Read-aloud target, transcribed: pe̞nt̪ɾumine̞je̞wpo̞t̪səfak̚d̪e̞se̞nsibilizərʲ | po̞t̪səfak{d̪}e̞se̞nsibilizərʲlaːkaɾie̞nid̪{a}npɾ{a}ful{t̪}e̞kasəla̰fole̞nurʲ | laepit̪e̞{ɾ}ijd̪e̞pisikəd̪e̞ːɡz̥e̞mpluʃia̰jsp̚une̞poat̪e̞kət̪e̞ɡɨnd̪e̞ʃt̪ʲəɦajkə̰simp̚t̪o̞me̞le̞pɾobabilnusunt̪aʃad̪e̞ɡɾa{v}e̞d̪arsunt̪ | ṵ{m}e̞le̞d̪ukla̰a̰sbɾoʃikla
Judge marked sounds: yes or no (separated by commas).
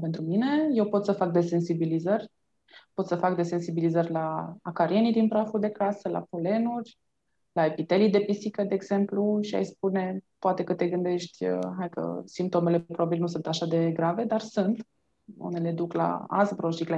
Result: yes, no, yes, no, no, yes, no